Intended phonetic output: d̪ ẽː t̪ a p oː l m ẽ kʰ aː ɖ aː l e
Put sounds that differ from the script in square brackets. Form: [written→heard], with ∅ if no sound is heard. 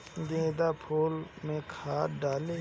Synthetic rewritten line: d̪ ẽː [t̪→d̪] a [p→pʰ] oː l m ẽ kʰ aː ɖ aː l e